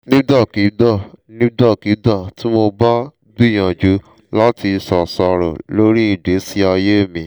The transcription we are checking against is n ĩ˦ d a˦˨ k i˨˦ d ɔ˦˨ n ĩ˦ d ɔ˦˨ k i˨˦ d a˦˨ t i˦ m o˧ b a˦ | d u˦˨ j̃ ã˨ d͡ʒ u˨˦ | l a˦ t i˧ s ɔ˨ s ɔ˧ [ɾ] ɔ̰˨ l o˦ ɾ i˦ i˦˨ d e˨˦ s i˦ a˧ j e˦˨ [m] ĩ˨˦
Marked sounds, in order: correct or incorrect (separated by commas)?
correct, correct